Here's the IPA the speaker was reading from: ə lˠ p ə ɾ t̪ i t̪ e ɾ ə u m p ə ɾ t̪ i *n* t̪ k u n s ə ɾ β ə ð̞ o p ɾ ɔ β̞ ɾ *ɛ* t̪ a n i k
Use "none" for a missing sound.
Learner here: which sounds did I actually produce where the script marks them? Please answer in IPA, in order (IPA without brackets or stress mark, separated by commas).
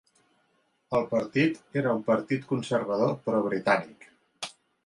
none, i